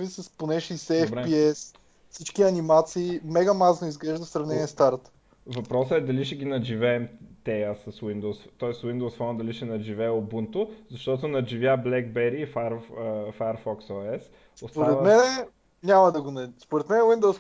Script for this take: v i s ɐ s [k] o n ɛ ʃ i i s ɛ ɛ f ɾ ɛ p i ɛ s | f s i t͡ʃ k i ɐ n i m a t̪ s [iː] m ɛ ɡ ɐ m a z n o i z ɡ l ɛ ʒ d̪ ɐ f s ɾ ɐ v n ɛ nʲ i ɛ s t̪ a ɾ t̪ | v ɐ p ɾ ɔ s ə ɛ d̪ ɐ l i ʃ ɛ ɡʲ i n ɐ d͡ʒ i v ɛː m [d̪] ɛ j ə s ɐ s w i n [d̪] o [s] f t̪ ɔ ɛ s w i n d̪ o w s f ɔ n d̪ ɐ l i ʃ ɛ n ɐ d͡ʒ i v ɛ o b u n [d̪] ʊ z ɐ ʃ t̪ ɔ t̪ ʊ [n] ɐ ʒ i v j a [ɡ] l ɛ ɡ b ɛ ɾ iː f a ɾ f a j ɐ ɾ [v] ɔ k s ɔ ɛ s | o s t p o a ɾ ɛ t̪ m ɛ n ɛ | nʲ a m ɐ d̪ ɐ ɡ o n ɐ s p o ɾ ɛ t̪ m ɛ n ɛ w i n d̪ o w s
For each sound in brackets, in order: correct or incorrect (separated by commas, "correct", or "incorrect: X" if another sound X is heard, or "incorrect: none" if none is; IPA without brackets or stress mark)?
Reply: incorrect: p, correct, incorrect: t̪, correct, correct, incorrect: t̪, correct, incorrect: b, incorrect: f